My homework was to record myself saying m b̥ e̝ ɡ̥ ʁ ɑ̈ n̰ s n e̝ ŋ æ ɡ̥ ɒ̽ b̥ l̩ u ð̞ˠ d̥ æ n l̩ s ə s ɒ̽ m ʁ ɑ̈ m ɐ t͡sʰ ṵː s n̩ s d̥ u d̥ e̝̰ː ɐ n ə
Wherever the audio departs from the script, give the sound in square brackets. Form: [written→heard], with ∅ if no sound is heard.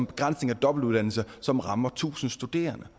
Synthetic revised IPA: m b̥ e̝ ɡ̥ ʁ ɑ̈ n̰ s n e̝ ŋ æ [ɡ̥→d̥] ɒ̽ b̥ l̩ u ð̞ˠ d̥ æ n l̩ s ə s ɒ̽ m ʁ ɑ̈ m ɐ t͡sʰ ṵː s n̩ s d̥ u d̥ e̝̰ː ɐ n ə